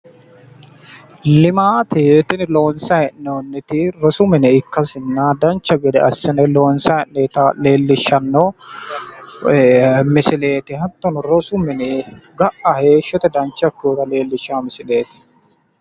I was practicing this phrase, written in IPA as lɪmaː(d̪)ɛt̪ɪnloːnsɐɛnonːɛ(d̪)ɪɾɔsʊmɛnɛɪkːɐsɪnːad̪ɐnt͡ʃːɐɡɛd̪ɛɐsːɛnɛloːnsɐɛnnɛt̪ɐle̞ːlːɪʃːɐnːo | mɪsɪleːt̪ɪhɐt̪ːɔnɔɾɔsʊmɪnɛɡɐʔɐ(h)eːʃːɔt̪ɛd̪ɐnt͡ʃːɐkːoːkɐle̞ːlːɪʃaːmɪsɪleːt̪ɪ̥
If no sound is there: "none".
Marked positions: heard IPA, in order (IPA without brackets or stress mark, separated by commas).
t̪, t̪, h